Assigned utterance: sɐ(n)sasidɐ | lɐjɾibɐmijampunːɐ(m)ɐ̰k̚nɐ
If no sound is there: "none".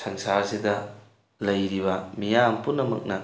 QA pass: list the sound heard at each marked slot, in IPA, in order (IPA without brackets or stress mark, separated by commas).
ŋ, m